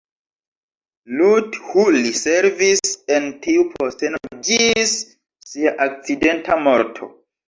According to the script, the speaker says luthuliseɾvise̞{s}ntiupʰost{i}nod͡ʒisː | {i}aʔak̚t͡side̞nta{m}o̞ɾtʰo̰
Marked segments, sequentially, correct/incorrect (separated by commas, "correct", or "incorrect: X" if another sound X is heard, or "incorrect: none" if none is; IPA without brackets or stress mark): incorrect: none, incorrect: e, correct, correct